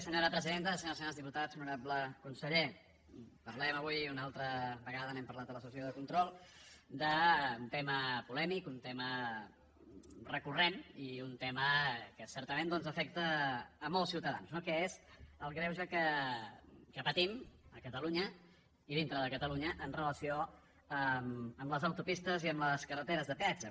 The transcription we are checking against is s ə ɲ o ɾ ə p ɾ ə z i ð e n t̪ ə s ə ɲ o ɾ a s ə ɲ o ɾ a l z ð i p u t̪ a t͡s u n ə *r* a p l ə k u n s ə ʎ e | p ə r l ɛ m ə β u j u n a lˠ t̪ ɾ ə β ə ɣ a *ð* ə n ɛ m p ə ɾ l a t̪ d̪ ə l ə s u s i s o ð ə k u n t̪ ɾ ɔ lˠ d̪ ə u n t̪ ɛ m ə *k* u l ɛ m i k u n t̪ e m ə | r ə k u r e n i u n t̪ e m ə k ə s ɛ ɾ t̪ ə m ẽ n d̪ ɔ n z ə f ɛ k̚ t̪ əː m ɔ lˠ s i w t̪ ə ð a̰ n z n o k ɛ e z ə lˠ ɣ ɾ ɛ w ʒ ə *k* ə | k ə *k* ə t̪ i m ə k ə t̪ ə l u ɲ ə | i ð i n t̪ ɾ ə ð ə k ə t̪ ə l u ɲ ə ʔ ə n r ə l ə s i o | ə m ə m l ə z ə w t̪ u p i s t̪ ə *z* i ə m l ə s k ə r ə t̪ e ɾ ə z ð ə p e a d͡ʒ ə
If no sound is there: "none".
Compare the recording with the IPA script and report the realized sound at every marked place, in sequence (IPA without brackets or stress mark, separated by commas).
ɾ, ð, p, k, p, z